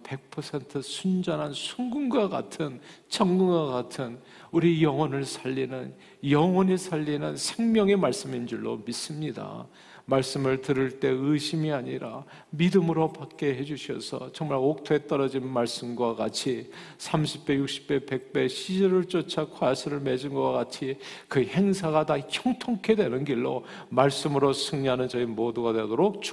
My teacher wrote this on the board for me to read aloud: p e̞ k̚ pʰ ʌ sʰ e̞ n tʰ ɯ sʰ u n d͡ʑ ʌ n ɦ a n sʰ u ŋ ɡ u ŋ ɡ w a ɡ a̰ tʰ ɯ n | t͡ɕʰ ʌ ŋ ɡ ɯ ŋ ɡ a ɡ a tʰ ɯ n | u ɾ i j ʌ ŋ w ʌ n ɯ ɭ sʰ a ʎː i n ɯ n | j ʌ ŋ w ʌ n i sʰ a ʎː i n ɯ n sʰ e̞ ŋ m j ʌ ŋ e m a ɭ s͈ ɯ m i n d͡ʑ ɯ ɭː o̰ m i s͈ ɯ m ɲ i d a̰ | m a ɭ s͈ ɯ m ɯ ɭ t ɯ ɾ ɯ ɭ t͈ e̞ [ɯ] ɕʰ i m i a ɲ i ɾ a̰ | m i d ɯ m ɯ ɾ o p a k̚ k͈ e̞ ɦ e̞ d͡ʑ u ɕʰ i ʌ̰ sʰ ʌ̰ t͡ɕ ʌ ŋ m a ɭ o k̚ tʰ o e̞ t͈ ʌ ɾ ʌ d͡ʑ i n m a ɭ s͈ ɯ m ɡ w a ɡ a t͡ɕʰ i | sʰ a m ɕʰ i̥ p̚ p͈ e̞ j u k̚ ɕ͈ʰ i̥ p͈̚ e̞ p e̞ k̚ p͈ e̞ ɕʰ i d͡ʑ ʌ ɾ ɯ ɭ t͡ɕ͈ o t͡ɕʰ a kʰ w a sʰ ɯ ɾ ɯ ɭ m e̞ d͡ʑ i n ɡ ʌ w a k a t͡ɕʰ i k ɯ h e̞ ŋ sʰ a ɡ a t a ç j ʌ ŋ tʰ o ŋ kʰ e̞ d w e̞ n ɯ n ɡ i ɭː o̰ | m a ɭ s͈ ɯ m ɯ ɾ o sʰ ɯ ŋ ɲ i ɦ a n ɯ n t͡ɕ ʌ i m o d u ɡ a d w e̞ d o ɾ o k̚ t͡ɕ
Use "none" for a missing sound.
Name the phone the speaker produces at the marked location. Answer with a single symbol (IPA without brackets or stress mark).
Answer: ɯ